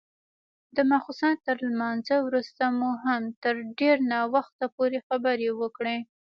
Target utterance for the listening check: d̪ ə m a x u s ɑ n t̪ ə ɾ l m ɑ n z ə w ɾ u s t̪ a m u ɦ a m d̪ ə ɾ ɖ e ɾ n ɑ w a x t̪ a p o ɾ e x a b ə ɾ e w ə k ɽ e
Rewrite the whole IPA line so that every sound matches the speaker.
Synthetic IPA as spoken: d̪ ə m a x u s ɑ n t̪ ə ɾ l m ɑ n z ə w ɾ u s t̪ a m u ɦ a m t̪ ə ɾ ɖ e ɾ n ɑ w a x t̪ a p o ɾ e x a b ə ɾ e w ə k ɽ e